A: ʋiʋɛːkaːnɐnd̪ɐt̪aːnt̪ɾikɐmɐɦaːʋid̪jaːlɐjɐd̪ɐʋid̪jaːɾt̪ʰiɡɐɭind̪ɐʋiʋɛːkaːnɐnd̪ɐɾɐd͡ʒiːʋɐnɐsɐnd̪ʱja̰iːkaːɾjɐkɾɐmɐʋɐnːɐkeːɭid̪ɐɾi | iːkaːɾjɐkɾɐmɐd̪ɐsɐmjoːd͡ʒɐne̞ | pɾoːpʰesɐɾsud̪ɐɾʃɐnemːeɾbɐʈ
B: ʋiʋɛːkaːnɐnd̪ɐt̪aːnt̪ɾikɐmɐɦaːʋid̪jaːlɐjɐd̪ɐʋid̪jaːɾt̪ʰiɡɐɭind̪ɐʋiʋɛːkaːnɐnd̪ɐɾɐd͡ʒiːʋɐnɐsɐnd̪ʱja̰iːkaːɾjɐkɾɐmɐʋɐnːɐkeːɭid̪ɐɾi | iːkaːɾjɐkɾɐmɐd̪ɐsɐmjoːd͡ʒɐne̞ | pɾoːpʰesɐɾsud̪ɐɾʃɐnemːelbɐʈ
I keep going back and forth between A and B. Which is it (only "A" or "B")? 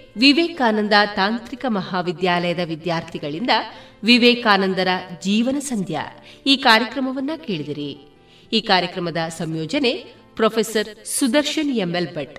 B